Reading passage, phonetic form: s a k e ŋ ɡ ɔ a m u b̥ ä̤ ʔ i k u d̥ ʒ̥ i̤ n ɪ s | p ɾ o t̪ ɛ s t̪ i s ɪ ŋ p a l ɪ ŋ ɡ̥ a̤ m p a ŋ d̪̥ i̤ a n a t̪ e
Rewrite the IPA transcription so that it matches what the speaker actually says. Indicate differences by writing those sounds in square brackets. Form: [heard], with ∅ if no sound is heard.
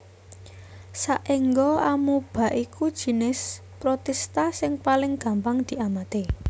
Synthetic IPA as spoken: s a [ʔ] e ŋ ɡ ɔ a m u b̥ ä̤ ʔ i k u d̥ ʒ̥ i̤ n ɪ s | p ɾ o t̪ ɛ s t̪ [a] s ɪ ŋ p a l ɪ ŋ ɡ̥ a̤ m p a ŋ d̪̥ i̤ a [m] a t̪ e